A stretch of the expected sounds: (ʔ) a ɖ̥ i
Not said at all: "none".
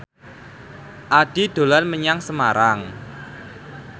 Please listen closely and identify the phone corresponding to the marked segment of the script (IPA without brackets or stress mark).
ʔ